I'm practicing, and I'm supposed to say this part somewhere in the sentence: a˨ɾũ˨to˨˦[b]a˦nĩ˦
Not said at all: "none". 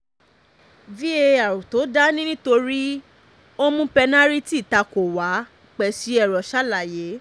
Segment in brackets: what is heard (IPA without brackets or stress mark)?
d